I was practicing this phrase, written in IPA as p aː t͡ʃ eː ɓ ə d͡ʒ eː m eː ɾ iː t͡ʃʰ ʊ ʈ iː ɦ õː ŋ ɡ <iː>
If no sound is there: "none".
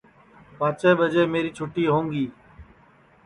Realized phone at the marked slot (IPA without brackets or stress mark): iː